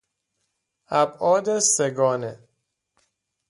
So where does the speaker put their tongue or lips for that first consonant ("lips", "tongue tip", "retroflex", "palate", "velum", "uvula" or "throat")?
lips